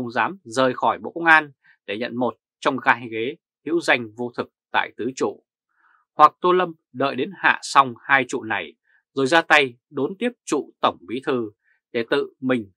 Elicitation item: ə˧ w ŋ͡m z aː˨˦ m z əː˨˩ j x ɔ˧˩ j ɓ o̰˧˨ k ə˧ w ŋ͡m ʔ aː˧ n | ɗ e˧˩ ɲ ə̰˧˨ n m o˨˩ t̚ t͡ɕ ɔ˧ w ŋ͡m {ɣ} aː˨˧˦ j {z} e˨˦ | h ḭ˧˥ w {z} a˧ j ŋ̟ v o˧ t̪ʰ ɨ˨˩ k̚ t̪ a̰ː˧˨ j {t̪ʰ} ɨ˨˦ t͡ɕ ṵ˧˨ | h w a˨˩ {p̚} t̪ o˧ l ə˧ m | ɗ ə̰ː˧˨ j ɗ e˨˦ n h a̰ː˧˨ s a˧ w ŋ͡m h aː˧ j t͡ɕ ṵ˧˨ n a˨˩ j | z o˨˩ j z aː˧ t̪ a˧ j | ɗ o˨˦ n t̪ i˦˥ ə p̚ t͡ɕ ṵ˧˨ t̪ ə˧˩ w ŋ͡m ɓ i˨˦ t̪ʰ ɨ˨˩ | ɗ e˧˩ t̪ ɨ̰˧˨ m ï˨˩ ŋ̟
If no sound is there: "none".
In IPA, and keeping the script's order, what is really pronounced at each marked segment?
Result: ɣ, ɣ, z, t̪, k̚

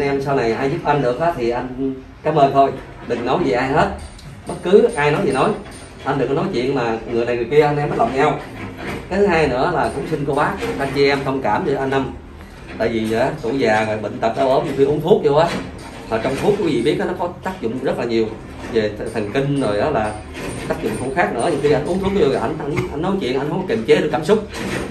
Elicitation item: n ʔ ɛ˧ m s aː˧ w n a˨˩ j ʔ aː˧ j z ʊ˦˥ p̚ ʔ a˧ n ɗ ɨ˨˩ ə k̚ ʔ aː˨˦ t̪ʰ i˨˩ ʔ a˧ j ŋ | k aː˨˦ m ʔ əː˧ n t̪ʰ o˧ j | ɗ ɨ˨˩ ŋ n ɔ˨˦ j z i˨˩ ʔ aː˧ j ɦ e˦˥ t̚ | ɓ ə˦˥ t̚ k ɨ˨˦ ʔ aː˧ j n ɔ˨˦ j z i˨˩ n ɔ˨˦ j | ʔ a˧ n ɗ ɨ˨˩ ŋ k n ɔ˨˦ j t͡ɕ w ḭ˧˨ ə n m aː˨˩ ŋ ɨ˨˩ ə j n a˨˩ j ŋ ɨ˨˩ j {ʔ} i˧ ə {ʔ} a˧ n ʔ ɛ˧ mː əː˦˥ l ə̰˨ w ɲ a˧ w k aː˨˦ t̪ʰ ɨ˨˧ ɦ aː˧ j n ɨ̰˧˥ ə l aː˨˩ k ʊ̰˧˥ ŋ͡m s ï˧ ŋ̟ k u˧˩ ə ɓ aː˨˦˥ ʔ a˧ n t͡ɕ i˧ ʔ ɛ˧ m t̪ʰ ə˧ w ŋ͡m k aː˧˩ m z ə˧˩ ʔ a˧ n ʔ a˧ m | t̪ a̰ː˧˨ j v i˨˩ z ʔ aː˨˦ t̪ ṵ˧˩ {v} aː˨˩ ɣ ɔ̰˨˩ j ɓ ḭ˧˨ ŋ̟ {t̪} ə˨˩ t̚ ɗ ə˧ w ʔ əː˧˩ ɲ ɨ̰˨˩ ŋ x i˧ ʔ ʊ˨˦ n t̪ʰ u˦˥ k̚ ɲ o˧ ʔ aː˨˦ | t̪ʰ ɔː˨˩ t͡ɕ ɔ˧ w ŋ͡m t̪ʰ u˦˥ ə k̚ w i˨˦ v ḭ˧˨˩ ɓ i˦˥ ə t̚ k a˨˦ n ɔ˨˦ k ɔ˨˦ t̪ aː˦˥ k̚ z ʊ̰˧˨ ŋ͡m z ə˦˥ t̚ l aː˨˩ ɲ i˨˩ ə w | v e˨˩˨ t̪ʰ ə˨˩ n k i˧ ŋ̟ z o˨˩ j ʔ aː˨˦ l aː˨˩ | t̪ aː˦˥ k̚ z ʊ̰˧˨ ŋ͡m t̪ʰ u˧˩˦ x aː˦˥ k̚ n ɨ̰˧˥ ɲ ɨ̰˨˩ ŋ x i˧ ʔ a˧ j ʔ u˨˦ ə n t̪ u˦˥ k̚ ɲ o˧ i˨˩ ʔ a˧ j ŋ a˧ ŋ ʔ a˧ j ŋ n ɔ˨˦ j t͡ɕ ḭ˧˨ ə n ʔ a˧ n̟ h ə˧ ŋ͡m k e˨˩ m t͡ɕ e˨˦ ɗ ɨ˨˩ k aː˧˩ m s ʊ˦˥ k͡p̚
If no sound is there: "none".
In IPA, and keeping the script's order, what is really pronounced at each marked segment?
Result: k, ʔ, z, t̪

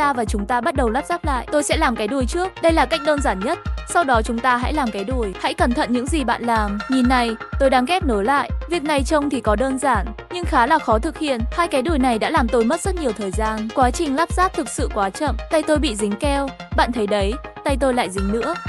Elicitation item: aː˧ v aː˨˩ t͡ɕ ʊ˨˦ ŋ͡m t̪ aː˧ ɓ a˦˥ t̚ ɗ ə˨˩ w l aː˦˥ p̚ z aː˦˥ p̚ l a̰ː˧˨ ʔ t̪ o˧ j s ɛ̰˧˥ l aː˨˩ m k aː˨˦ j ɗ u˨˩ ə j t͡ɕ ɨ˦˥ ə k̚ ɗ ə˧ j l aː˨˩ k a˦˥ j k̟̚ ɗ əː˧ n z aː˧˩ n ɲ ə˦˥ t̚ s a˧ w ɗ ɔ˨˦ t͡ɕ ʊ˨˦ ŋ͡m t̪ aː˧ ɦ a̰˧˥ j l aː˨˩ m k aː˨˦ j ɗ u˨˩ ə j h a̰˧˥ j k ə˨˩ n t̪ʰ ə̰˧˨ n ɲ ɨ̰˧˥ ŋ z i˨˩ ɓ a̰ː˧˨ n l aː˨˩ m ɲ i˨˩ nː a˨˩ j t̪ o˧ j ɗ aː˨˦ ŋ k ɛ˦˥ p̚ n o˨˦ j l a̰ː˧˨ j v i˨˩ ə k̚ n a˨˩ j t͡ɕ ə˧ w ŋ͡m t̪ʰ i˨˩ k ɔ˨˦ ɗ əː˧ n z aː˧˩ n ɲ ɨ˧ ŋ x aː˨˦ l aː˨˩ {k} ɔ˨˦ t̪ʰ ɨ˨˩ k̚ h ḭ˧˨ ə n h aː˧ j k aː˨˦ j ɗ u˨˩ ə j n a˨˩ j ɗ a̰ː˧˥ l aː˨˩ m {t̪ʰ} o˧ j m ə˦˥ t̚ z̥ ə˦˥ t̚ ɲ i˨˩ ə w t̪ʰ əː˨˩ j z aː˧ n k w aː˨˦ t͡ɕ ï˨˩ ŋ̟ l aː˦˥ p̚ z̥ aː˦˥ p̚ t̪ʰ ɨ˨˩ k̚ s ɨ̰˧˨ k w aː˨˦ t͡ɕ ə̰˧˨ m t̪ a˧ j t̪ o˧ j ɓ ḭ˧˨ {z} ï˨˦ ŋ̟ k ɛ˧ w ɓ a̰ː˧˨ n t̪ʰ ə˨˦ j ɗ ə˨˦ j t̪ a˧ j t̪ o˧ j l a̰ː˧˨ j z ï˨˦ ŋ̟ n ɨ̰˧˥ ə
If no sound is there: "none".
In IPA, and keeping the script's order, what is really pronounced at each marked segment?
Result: x, t̪, z

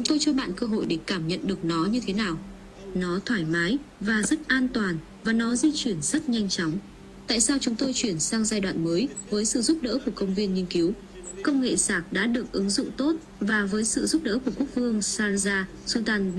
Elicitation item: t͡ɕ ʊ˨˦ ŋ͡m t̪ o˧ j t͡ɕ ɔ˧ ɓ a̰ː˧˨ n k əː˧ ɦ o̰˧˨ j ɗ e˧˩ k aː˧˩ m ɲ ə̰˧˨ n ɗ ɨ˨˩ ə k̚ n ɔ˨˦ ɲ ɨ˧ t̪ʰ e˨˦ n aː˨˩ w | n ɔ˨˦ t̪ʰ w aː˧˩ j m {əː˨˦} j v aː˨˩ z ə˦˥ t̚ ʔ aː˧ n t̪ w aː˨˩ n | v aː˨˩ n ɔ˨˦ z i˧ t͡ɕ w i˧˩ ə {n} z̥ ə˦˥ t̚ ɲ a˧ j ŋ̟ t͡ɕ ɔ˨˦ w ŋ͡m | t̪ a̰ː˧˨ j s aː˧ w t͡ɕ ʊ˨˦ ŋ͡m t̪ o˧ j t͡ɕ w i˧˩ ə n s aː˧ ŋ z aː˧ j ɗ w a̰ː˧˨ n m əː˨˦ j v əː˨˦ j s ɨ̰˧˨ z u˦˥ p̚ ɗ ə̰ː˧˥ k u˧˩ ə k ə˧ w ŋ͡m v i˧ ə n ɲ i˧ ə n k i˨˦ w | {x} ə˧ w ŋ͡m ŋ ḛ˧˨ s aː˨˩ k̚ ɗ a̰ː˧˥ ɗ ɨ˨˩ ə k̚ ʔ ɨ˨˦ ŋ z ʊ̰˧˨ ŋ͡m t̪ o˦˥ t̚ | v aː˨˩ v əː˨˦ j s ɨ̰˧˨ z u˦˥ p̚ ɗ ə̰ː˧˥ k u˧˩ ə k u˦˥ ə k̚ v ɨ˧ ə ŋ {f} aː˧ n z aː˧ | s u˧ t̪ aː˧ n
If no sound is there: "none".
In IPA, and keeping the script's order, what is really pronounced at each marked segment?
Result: aː˨˦, n, k, s

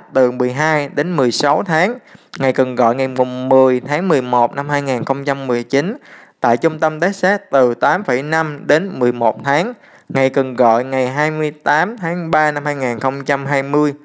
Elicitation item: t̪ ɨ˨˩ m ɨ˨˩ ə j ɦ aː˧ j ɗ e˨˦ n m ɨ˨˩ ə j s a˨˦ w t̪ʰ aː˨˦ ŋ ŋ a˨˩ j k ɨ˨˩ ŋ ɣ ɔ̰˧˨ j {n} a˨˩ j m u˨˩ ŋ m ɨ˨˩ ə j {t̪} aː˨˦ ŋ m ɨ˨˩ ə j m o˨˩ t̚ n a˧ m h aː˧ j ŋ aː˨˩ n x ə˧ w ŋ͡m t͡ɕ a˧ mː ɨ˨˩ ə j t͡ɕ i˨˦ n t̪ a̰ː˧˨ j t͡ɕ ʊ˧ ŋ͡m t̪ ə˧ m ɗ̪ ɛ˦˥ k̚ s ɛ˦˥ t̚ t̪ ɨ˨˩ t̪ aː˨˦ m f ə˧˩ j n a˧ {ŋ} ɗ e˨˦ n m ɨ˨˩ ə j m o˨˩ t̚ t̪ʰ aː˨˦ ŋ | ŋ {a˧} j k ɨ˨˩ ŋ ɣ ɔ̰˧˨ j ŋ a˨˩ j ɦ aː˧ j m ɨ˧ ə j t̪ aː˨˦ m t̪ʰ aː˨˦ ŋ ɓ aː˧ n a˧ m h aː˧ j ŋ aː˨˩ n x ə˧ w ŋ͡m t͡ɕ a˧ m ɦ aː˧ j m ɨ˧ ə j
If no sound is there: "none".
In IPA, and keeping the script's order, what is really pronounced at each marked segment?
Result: ŋ, t̪ʰ, m, a˨˩

